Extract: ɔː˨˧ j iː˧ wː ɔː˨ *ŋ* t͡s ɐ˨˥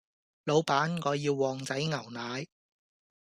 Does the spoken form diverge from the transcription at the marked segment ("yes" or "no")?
no